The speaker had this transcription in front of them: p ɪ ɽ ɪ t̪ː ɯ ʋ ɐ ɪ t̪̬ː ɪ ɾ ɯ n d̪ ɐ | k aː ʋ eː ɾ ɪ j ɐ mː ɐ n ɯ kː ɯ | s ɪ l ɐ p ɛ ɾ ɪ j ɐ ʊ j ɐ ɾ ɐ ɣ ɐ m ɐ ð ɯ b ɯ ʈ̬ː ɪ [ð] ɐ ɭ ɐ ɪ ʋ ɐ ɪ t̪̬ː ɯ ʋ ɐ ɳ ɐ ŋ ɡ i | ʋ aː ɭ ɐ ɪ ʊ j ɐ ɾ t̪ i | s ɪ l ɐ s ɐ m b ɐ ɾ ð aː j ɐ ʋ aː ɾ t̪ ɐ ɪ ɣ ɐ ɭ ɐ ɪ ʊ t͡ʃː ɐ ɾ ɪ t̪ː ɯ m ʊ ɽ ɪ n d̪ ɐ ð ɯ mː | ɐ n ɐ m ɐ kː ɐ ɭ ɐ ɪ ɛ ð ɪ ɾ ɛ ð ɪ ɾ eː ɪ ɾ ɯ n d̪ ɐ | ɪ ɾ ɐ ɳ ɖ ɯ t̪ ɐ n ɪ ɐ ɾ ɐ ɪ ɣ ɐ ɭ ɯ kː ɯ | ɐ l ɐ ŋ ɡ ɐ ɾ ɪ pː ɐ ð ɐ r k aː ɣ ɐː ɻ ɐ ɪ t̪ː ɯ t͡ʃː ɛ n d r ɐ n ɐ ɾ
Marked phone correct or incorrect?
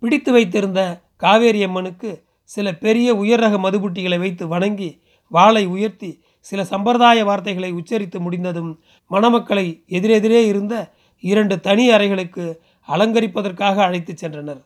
incorrect